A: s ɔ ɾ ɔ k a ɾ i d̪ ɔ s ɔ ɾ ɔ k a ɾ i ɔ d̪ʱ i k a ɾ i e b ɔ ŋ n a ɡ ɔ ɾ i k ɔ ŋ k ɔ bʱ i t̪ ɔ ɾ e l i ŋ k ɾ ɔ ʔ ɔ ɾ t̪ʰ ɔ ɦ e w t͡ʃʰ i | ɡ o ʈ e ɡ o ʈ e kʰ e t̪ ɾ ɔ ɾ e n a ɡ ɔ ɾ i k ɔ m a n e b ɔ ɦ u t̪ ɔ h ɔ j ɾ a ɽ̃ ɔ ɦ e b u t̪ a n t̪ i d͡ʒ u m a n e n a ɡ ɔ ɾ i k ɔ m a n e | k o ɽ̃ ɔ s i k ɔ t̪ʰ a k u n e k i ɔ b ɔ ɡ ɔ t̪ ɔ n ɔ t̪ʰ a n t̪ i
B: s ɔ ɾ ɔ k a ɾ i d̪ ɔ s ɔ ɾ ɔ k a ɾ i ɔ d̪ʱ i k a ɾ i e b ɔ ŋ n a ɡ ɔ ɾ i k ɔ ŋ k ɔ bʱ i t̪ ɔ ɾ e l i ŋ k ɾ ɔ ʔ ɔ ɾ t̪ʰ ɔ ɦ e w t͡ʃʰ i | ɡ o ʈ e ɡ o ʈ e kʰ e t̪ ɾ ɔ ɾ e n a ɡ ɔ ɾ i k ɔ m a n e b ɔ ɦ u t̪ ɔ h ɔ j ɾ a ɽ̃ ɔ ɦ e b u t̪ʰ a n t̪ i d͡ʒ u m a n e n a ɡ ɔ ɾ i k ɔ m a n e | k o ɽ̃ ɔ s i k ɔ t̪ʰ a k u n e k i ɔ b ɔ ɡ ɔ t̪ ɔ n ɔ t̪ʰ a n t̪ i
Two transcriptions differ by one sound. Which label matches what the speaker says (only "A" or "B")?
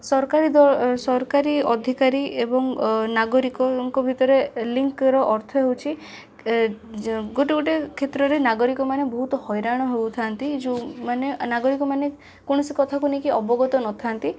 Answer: B